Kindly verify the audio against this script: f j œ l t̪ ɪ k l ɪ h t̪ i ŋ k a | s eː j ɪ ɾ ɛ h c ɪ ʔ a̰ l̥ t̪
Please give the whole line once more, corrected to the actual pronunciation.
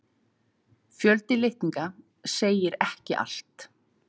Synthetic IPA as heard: f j œ l t̪ ɪ l ɪ h t̪ i ŋ k a | s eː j ɪ ɾ ɛ h c ɪ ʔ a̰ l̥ t̪